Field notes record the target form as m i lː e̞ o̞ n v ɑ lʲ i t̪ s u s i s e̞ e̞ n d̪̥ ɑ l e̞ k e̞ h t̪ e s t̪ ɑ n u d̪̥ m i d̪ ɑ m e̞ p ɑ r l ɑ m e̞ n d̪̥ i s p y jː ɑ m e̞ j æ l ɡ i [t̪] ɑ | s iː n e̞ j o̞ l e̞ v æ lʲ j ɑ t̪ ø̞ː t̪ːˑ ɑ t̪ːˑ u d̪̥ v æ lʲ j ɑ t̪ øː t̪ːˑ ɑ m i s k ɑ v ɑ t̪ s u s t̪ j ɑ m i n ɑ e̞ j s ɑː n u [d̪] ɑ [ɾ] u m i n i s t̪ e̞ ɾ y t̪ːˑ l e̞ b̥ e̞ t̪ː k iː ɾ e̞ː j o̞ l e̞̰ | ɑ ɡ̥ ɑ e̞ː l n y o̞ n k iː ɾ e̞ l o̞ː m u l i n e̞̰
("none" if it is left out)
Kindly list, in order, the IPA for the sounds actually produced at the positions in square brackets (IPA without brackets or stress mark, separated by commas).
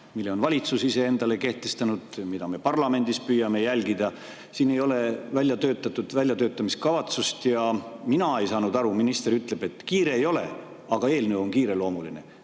d̪, d̪, ɾ